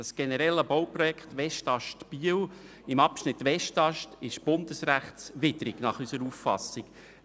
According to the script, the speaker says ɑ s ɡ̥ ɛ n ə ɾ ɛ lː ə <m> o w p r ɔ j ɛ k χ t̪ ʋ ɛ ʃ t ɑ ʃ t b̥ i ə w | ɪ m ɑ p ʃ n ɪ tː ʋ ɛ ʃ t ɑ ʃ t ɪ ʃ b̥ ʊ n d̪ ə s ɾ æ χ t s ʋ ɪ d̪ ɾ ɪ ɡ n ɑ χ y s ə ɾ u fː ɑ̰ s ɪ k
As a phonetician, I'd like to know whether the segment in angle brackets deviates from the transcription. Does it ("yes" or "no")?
yes